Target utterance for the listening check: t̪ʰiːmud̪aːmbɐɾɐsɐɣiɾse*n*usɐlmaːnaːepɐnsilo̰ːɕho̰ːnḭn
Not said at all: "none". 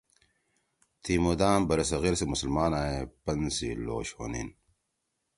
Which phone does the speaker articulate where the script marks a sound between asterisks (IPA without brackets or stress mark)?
m